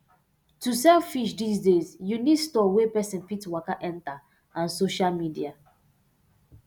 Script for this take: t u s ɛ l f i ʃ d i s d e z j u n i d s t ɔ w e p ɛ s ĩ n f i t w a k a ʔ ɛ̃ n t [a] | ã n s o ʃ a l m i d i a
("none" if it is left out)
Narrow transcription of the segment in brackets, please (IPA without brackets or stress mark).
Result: a